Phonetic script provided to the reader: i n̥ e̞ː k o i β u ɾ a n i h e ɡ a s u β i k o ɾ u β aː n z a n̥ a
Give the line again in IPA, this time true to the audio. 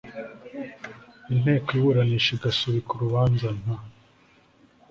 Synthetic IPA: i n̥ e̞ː k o i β u ɾ a n i ʃ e ɡ a s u β i k u ɾ u β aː n z a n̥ a